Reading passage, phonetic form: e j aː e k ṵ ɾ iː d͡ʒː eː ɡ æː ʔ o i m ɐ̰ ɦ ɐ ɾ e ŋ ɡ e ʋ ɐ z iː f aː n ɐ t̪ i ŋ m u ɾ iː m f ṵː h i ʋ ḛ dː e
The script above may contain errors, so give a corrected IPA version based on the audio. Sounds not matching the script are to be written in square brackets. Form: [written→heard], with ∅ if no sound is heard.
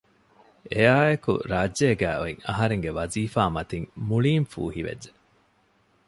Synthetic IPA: e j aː e k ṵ ɾ [iː→aː] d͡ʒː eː ɡ æː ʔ o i [m→ŋ] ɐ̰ ɦ ɐ ɾ e ŋ ɡ e ʋ ɐ z iː f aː [n→m] ɐ t̪ i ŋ m u [ɾ→ɭ] iː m f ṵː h i ʋ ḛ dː e